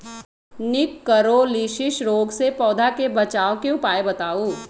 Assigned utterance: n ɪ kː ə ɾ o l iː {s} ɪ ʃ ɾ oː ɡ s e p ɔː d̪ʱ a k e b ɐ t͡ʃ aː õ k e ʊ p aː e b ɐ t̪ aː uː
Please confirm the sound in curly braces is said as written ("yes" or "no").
no